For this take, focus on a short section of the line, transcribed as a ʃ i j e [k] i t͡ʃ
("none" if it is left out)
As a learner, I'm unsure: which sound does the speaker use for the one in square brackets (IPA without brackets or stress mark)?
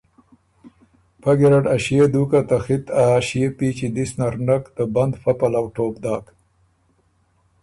p